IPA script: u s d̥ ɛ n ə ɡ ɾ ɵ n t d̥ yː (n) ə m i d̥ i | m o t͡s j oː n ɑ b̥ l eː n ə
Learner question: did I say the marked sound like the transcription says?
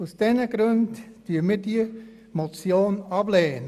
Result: no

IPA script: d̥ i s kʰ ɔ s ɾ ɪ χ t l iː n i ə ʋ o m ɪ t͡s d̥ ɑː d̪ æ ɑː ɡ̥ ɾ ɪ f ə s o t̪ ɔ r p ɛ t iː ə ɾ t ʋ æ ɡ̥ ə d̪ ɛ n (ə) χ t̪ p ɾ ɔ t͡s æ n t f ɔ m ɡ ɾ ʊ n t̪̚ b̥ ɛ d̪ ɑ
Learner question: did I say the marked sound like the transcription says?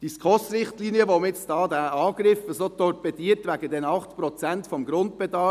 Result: no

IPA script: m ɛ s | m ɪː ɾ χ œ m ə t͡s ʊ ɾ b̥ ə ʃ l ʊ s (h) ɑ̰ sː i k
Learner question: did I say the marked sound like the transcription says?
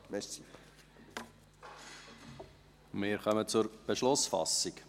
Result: no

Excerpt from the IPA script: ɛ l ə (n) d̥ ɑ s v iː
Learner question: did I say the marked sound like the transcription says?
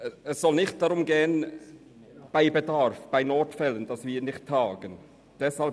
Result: yes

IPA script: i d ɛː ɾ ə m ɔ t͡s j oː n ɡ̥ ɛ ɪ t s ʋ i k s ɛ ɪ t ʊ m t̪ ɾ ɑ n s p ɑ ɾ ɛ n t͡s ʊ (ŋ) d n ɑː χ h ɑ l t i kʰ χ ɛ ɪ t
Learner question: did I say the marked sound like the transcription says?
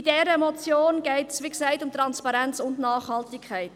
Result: no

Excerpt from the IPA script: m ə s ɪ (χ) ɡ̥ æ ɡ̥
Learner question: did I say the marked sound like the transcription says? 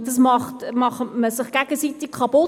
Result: yes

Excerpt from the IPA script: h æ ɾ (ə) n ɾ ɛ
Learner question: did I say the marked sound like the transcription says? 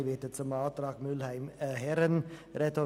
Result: yes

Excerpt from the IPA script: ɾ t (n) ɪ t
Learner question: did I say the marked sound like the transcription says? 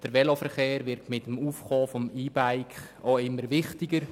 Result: no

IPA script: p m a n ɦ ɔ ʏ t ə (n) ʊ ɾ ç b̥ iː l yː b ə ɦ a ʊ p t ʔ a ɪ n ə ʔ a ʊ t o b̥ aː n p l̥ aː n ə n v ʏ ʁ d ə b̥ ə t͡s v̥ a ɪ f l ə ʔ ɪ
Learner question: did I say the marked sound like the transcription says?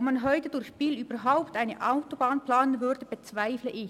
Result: no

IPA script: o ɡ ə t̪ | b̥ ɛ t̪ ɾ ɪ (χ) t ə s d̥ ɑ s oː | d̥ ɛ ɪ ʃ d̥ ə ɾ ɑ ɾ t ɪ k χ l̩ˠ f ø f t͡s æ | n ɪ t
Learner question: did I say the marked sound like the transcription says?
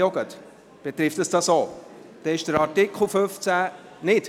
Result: no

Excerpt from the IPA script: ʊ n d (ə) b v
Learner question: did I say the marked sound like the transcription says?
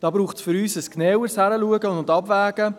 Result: no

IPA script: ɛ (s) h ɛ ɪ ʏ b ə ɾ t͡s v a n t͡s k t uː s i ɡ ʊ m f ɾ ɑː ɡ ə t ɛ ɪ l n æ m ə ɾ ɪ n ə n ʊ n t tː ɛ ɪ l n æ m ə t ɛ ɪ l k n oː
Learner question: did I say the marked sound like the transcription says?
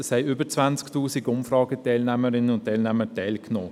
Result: yes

